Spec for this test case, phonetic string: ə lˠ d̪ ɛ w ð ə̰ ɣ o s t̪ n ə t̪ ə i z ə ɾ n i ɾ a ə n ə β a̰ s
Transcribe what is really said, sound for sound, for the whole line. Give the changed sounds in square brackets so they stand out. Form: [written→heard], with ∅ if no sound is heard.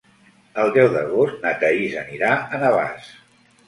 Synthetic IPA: ə lˠ d̪ ɛ w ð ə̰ ɣ o s t̪ n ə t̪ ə i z ə [ɾ→∅] n i ɾ a ə n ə β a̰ s